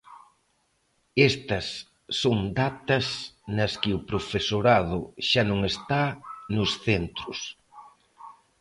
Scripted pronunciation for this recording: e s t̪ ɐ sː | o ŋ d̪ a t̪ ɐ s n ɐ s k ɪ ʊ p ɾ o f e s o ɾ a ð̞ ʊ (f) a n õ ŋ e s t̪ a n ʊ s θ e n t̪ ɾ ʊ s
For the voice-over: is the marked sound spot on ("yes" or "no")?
no